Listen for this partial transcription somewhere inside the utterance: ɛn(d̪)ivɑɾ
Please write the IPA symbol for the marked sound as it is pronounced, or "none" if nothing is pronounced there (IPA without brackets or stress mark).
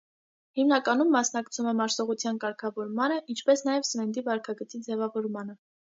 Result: d̪